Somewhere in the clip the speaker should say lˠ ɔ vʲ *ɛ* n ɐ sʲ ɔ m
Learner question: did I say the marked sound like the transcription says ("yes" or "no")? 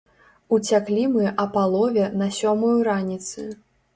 yes